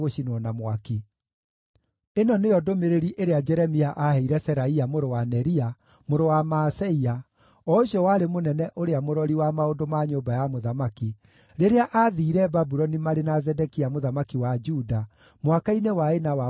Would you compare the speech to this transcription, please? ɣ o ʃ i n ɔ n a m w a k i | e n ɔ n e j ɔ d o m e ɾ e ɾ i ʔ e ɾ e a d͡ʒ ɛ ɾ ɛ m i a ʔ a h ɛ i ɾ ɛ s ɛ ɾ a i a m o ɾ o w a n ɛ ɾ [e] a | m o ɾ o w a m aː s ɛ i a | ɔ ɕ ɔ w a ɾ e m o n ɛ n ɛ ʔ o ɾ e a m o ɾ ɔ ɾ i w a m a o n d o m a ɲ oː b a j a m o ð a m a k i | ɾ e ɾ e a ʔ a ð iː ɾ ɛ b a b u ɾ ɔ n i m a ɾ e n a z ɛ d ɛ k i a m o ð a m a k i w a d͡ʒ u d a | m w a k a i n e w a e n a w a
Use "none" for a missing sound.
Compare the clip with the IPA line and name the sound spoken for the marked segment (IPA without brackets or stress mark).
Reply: i